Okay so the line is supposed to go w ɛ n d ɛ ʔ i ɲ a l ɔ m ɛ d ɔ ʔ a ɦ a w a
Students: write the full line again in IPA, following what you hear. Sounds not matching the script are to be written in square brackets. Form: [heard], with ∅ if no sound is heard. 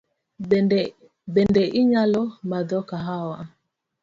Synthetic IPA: [b] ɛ n d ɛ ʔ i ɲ a l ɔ m [a] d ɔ [k] a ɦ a w a